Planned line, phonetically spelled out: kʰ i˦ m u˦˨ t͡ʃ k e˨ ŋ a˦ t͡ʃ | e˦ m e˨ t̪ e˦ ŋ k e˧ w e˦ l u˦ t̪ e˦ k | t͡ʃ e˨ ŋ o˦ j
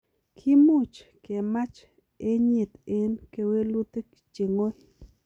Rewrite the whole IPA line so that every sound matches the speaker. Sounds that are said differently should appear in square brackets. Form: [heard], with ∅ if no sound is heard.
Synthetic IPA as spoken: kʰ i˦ m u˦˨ t͡ʃ k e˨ [m] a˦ t͡ʃ | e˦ [ɲ] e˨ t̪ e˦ [n] k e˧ w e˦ l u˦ t̪ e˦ k | t͡ʃ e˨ ŋ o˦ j